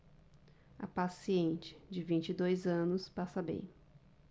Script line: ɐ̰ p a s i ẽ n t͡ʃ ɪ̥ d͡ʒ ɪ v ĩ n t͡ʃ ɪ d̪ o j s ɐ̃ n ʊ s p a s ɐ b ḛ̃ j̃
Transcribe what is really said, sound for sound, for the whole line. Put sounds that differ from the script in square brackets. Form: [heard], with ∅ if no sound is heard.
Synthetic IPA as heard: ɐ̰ p a s i ẽ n t͡ʃ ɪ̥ d͡ʒ ɪ v ĩ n t͡ʃ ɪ d̪ o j [z] ɐ̃ n ʊ s p a s ɐ b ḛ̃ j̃